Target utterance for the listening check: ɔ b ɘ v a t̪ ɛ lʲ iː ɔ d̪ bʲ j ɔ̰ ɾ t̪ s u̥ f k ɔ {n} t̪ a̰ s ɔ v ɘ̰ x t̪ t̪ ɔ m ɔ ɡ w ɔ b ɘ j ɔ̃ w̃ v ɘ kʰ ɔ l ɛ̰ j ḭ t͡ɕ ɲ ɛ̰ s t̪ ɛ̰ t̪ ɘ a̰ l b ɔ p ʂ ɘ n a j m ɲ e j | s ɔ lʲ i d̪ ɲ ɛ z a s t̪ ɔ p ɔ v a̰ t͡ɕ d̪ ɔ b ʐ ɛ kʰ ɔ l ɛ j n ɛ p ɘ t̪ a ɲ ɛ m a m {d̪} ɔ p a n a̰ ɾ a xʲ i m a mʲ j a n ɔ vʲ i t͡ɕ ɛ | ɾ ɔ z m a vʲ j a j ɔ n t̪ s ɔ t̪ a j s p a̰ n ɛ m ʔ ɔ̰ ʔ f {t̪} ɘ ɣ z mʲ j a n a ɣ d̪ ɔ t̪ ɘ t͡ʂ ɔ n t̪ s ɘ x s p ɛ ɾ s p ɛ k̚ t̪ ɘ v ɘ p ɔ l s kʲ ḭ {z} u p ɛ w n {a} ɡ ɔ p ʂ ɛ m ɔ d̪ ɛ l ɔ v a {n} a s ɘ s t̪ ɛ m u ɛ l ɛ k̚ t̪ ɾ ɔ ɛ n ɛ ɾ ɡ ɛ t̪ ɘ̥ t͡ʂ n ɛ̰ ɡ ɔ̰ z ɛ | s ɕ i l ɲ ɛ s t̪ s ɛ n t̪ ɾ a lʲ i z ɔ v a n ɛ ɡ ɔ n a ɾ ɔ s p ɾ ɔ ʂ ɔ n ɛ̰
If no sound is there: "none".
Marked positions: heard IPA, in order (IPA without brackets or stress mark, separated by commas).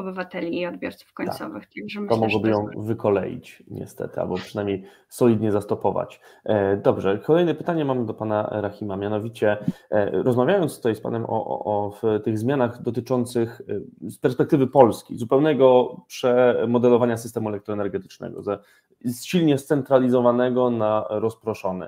ɲ, d̪, t̪, z, ɛ, ɲ